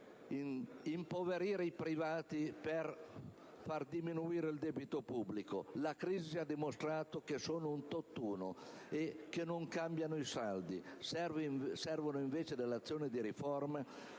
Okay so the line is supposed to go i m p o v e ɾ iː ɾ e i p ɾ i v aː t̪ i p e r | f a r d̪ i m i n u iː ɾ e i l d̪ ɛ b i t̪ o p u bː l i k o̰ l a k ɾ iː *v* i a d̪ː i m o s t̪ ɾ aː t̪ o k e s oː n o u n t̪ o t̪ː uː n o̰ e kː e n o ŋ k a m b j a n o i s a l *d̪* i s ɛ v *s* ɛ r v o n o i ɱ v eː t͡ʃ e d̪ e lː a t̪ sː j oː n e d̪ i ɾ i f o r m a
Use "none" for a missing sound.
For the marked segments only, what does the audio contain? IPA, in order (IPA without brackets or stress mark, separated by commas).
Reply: z, d̪, s